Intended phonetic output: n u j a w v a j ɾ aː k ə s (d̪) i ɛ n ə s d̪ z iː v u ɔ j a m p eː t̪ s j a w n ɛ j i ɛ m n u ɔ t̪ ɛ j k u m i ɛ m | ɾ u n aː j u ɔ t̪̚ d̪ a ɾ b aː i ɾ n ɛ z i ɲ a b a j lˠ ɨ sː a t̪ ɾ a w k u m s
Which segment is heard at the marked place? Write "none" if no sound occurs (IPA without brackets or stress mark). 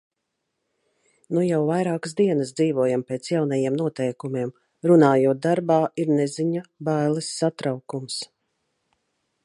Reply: d̪